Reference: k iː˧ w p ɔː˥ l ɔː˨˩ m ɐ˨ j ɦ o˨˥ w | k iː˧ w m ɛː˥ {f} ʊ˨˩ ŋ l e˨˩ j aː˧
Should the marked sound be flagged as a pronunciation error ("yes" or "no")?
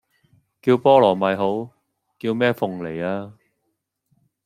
no